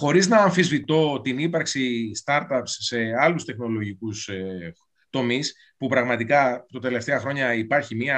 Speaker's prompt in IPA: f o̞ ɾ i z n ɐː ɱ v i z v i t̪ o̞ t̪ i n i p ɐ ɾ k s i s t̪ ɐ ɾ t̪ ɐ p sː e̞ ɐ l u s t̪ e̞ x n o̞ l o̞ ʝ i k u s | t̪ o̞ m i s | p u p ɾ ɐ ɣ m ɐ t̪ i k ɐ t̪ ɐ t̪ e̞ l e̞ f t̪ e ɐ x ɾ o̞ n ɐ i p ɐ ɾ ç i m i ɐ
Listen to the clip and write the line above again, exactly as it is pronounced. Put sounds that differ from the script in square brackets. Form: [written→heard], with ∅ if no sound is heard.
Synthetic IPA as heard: [f→x] o̞ ɾ i z n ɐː ɱ [v→f] i z v i t̪ o̞ t̪ i n i p ɐ ɾ k s i s t̪ ɐ ɾ t̪ ɐ p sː e̞ ɐ l u s t̪ e̞ x n o̞ l o̞ ʝ i k u s | t̪ o̞ m i s | p u p ɾ ɐ ɣ m ɐ t̪ i k ɐ t̪ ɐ t̪ e̞ l e̞ f t̪ e ɐ x ɾ o̞ [n→ɲ] ɐ i p ɐ ɾ ç i m i ɐ